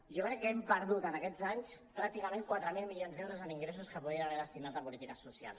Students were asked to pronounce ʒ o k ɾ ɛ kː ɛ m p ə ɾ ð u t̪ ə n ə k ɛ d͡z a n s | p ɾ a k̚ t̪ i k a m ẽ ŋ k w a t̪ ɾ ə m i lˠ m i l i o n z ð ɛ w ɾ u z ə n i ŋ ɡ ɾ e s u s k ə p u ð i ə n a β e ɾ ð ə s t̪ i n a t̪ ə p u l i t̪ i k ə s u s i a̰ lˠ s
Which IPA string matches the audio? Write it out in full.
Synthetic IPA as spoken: ʒ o k ɾ ɛ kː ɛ m p ə ɾ ð u t̪ ə n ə k ɛ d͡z a ɲ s | p ɾ a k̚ t̪ i k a m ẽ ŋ k w a t̪ ɾ ə m i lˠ m i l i o n z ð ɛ w ɾ u z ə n i ŋ ɡ ɾ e s u s k ə p u ð i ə n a β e ɾ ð ə s t̪ i n a t̪ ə p u l i t̪ i k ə s u s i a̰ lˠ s